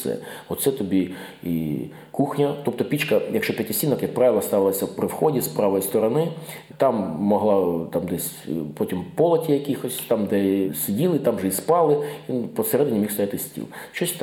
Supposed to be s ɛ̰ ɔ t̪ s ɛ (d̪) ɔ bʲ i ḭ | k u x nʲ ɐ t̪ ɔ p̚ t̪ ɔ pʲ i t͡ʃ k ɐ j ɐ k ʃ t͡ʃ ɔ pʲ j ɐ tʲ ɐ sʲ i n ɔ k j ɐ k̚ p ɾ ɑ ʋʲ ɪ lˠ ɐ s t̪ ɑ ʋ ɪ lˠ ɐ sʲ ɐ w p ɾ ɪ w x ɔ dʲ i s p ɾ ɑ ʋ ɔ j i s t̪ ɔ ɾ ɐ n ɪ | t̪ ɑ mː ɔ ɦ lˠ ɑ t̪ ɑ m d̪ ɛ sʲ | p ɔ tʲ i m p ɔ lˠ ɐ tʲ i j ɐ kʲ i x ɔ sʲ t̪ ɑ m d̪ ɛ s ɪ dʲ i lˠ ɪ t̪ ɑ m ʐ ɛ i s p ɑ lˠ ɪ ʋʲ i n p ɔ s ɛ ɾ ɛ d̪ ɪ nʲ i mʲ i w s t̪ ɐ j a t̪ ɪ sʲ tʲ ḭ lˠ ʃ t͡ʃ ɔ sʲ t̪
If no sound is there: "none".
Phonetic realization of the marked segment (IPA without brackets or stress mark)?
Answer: t̪